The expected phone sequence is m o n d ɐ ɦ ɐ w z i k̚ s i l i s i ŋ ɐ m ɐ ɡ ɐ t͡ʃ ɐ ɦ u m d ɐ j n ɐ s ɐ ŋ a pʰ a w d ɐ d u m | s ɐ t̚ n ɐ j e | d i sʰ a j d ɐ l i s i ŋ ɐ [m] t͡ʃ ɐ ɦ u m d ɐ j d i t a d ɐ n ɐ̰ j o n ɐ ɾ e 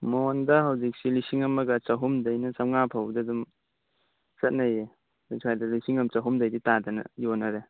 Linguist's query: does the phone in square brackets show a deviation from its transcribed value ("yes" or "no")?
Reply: no